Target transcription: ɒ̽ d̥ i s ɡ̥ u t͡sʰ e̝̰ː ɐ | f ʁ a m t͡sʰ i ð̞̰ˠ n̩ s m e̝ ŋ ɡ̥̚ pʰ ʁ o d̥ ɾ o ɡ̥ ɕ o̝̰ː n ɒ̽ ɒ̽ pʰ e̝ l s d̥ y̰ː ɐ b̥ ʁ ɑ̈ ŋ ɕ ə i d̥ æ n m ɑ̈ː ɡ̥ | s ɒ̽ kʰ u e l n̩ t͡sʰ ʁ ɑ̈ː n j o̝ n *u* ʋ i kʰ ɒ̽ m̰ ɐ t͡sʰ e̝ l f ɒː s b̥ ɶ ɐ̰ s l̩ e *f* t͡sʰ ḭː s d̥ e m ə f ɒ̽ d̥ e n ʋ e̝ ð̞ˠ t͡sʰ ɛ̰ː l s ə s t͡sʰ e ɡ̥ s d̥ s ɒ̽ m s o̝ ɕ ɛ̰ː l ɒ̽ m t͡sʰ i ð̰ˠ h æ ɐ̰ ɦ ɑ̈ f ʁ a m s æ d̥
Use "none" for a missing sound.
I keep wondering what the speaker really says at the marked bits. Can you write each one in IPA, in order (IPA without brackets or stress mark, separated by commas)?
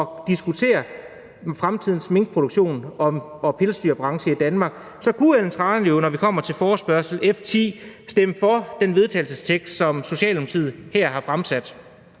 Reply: ɒ, f